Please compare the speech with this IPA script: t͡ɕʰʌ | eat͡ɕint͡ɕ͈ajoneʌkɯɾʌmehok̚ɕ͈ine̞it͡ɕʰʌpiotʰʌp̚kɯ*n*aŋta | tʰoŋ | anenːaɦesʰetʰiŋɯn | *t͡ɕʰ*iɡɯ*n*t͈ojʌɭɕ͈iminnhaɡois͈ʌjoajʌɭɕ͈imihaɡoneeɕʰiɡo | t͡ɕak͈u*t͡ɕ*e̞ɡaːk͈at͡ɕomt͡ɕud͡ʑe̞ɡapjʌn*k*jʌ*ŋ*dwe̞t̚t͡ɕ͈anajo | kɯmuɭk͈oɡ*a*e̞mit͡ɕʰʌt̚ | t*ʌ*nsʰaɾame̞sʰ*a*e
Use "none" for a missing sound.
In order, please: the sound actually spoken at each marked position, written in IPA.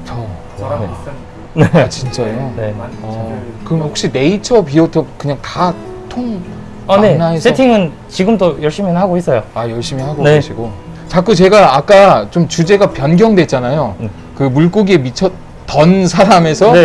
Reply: ɲ, t͡ɕ, m, t͡ɕ, ɡ, ŋ, i, ʌ, ʌ

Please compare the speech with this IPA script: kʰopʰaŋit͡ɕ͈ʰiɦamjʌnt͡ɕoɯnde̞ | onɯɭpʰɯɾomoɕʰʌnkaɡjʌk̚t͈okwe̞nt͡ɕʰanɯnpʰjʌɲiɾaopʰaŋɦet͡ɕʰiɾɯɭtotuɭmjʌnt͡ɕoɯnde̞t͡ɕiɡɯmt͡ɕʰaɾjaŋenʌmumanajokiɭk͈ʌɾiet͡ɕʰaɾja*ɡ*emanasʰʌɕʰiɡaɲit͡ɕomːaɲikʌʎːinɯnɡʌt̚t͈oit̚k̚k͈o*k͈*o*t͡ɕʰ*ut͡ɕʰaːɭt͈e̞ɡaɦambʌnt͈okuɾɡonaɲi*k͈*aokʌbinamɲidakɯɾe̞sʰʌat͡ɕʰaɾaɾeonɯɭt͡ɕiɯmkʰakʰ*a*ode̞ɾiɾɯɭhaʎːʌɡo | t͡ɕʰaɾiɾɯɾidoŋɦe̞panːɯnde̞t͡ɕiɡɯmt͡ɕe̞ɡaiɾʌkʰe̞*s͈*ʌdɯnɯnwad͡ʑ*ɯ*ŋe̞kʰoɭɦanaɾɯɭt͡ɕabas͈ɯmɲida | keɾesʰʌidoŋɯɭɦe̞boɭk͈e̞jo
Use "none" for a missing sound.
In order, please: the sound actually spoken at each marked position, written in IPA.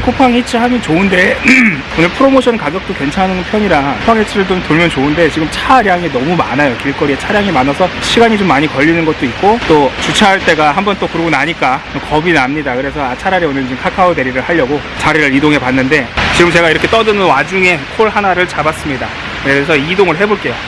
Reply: ŋ, t͈, t͡ɕ, k͈, a, t͈, u

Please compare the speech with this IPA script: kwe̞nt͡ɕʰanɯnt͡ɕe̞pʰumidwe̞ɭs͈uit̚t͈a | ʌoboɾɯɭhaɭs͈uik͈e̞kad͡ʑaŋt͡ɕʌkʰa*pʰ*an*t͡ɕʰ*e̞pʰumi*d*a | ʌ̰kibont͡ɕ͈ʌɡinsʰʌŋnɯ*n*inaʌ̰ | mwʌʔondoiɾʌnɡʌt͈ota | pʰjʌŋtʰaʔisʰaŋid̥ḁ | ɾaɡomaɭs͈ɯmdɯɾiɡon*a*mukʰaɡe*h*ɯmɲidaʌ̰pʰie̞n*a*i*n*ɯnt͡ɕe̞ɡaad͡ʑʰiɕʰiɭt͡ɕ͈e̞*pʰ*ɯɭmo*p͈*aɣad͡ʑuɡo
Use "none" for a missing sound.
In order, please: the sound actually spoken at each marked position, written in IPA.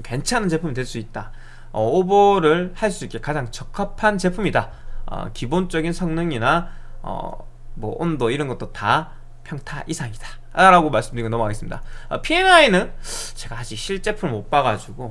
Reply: pʰ, t͡ɕ, d, ŋ, ʌ, s, a, n, pʰ, p͈

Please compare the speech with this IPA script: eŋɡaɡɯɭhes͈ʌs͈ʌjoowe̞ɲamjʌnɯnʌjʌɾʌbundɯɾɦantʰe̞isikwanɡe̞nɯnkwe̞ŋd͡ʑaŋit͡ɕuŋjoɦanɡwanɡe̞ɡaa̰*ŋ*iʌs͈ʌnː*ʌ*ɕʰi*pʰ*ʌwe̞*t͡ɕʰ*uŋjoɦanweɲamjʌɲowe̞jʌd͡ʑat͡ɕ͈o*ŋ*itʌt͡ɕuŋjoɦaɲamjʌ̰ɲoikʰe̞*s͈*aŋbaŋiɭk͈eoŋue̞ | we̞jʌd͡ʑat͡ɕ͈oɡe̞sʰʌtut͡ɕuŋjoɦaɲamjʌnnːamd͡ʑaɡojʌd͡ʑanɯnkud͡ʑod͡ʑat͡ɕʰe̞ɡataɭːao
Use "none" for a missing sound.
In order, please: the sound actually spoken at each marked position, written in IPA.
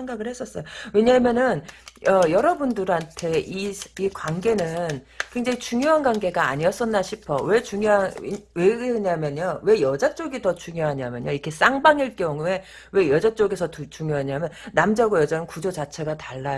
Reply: ɲ, a, pʰ, t͡ɕ, ɡ, s͈

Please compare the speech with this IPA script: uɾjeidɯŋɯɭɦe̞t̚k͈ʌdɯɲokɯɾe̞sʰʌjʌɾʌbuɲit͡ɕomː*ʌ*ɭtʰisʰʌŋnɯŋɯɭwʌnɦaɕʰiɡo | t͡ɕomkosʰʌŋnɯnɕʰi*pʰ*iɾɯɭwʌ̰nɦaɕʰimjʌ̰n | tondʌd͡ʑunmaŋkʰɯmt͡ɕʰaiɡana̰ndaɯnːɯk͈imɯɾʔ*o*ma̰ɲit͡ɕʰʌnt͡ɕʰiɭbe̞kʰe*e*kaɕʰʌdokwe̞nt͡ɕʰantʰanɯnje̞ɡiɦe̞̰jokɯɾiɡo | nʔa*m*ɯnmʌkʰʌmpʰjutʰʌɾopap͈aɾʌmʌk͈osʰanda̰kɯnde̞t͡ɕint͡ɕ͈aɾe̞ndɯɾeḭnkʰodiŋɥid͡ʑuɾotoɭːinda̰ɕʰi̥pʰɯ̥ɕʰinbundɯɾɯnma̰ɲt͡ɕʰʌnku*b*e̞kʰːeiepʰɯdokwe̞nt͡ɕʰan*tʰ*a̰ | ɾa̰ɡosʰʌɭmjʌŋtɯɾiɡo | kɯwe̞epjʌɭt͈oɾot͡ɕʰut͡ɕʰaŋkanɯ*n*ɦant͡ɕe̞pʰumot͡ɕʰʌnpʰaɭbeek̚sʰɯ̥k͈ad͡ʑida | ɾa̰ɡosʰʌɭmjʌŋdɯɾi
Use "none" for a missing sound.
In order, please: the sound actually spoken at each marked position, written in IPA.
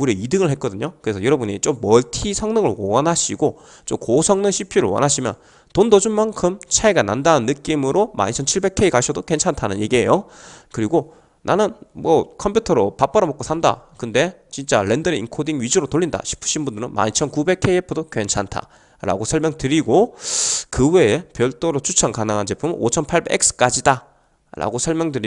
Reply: ʌ, pʰ, o, i, n, b, tʰ, ŋ

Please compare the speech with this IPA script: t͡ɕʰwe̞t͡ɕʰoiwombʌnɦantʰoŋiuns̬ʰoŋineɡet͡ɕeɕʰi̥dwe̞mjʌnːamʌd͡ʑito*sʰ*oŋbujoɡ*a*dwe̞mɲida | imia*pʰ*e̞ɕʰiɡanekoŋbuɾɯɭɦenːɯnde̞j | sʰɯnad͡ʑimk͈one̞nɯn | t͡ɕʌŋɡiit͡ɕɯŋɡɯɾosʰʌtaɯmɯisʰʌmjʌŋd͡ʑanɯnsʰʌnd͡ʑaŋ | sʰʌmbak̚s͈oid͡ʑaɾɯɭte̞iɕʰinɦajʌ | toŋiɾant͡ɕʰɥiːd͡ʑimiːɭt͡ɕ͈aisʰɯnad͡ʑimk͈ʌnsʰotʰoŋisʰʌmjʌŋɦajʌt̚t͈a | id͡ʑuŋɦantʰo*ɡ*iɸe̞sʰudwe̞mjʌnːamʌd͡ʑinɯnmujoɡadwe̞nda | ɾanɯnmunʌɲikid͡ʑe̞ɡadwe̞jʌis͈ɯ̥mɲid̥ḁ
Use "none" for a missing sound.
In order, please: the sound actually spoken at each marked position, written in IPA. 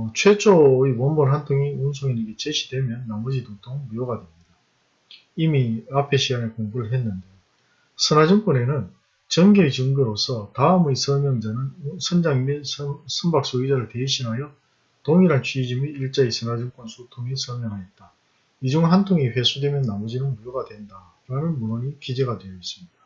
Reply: tʰ, a, pʰ, ŋ

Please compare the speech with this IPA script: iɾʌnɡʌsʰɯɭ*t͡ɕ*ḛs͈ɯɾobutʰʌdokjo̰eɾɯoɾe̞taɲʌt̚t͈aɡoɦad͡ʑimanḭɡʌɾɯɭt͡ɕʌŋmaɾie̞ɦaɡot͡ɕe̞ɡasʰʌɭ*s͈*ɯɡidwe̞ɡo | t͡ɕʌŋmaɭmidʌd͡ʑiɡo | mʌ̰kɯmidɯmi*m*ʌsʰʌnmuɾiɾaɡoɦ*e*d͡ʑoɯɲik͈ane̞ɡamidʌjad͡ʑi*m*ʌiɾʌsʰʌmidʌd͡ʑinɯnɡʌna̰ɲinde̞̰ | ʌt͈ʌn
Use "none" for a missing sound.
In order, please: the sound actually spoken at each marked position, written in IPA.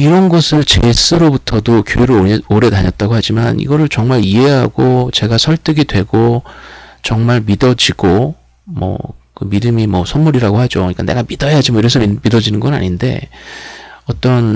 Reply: t͡ɕ, t͈, m, a, m

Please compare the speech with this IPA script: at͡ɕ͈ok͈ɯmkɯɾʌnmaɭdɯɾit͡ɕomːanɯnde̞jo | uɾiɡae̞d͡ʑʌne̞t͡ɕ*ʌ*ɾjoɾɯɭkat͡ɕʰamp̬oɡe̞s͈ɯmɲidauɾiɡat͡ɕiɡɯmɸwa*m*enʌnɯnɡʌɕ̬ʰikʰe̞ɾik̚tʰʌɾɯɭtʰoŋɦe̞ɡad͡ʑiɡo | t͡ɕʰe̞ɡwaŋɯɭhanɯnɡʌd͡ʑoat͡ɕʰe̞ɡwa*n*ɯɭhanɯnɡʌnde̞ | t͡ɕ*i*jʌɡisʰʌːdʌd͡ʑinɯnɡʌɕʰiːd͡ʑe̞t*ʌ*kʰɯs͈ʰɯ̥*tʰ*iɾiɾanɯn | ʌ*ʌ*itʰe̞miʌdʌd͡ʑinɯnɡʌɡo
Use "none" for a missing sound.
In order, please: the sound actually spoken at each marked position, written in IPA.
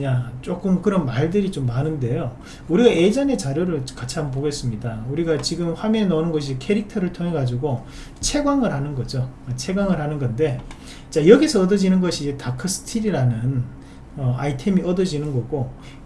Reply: a, m, ŋ, a, a, tʰ, a

